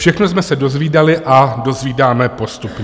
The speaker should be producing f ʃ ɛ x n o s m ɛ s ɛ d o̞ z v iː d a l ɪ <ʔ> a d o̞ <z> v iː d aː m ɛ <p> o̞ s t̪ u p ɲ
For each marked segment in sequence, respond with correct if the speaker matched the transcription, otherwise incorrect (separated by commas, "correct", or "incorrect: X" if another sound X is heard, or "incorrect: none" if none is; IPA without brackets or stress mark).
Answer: correct, correct, correct